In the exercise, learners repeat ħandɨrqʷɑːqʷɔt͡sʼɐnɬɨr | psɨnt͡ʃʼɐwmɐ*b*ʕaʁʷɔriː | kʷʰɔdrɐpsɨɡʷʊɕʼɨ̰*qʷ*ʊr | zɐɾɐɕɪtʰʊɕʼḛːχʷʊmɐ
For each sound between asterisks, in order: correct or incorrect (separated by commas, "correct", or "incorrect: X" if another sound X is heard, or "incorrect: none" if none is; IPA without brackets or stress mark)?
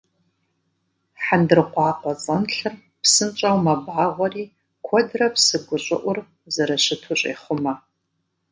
correct, incorrect: ʔʷ